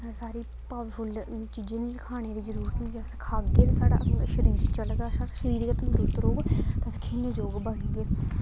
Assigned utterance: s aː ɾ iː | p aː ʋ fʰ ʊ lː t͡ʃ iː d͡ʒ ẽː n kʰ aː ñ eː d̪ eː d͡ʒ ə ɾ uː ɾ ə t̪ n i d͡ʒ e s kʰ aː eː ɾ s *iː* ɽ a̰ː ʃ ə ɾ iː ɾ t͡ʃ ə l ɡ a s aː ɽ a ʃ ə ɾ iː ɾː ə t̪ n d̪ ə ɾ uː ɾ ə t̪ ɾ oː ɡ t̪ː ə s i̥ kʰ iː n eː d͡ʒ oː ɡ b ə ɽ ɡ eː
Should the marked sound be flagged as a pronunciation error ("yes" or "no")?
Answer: yes